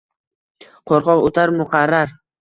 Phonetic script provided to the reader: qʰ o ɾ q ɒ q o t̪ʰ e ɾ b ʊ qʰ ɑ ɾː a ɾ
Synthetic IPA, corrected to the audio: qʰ o ɾ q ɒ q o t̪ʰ a ɾ m ʊ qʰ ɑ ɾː a ɾ